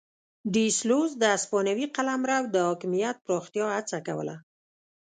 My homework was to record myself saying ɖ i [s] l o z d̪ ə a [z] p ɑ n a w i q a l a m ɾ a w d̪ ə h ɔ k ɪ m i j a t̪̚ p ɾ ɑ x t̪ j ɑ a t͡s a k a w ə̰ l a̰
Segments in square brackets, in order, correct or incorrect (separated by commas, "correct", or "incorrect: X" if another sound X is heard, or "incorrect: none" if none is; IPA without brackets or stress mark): correct, incorrect: s